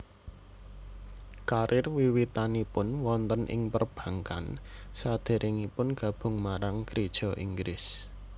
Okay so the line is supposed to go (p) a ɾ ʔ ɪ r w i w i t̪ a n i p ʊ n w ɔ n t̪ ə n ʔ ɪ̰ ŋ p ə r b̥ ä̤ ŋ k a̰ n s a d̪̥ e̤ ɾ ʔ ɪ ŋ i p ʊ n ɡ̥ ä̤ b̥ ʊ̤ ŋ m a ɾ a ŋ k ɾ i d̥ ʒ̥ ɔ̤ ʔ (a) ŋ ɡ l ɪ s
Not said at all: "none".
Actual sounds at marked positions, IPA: k, i

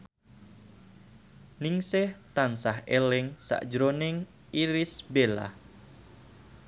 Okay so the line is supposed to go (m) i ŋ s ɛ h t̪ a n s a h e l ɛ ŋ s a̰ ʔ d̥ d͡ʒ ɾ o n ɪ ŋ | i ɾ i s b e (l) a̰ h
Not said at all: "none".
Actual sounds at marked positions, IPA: n, l

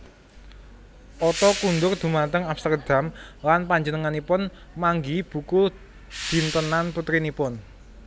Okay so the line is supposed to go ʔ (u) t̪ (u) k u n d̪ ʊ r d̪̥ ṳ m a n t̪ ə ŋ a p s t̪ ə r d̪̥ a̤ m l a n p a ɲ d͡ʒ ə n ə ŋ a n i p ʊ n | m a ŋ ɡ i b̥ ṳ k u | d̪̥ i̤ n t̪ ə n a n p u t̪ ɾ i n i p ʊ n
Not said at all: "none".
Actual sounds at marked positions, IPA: ɔ, ɔ

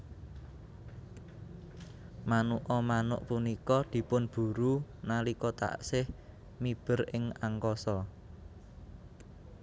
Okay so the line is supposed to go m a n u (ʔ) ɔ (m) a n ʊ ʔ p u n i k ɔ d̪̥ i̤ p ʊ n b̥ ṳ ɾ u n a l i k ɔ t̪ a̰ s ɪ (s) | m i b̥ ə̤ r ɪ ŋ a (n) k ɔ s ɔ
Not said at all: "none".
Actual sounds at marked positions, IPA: ʔ, m, h, ŋ

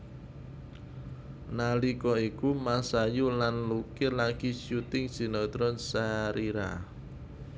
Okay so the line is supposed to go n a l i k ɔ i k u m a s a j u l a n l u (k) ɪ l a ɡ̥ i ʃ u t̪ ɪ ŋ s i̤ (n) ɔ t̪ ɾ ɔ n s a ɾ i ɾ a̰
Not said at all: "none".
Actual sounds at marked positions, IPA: k, n

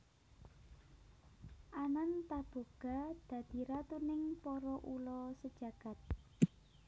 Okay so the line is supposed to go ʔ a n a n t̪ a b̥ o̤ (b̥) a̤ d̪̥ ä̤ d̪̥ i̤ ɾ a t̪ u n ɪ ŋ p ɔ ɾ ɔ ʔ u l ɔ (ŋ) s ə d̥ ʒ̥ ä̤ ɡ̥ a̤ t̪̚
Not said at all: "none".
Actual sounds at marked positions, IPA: ɡ̥, none

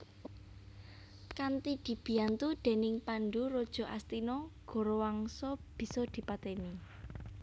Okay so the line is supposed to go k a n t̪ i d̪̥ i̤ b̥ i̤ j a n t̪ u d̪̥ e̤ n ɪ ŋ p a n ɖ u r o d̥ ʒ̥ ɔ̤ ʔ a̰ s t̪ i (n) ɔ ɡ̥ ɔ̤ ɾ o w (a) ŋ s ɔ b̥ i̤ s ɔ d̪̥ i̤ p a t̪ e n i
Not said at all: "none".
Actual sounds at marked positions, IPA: n, a

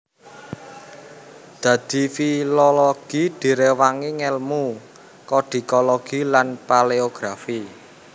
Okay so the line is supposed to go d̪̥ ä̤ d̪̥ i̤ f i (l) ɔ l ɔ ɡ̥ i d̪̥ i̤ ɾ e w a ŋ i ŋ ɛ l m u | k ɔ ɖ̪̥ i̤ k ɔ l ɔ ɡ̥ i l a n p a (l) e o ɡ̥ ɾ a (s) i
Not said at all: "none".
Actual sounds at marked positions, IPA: l, l, f

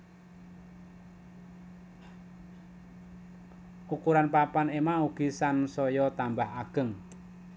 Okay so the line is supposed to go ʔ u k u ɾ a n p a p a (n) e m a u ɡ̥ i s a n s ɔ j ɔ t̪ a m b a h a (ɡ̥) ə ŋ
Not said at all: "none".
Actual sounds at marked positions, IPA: n, ɡ̥

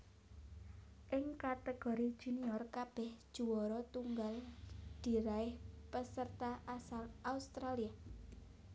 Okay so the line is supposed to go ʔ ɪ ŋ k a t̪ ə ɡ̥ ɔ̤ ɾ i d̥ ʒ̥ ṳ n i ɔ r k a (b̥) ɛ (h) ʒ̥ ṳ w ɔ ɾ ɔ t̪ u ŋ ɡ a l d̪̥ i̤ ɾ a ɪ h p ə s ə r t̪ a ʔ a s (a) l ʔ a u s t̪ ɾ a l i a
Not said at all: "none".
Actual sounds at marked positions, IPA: b̥, h, a

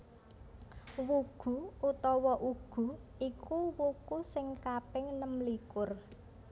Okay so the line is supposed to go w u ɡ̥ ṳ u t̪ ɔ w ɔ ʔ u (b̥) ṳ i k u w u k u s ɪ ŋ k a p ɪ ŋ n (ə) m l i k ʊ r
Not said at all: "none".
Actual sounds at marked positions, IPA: ɡ̥, ə

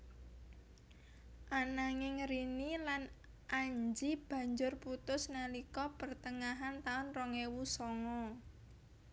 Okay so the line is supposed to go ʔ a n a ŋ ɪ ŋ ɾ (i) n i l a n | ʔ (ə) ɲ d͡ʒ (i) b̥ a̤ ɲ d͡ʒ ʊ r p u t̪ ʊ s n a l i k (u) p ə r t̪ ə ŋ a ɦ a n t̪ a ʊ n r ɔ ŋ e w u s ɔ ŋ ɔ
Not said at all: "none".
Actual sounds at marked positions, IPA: i, a, i, ɔ

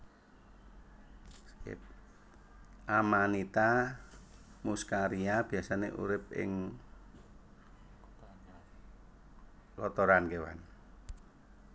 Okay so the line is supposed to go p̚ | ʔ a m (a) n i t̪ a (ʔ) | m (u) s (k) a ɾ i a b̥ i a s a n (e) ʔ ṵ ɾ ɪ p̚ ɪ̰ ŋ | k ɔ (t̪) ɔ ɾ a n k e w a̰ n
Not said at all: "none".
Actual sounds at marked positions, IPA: a, none, u, k, e, t̪

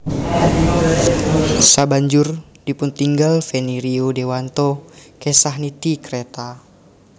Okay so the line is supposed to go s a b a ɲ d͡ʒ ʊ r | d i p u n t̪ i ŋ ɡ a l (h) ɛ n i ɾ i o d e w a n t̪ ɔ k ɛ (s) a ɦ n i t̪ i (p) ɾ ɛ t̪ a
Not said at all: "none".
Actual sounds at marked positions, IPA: f, s, k

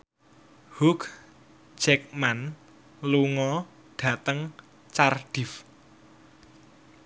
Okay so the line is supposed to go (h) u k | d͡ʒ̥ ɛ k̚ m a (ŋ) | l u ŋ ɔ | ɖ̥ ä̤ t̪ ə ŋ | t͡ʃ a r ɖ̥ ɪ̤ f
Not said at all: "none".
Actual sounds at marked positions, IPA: h, n

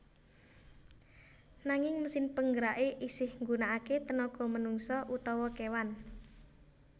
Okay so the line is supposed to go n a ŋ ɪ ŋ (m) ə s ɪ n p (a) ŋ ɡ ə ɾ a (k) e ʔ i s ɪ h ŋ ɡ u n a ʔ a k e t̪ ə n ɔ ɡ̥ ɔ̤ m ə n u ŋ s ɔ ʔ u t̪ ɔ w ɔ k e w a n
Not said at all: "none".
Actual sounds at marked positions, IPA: m, ə, ʔ

